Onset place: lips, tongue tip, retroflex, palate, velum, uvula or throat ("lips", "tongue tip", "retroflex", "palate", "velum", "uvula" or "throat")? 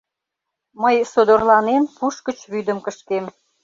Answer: lips